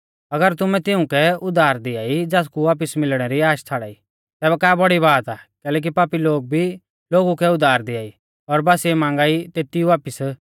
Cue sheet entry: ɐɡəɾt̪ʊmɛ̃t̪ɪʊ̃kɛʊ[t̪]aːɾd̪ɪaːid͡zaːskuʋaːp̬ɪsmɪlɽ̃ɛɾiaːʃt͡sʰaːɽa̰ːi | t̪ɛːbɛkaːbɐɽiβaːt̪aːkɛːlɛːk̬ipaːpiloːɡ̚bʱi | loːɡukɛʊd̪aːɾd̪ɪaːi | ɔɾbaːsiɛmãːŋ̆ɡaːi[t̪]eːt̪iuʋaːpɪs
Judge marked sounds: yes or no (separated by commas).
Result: no, yes